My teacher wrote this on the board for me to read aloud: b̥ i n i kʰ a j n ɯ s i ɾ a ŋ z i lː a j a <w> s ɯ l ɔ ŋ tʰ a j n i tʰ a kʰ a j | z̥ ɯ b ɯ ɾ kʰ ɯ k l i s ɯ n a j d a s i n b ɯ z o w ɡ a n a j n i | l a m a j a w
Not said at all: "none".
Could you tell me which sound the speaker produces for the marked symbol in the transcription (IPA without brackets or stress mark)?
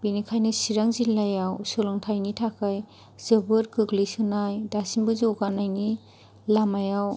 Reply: w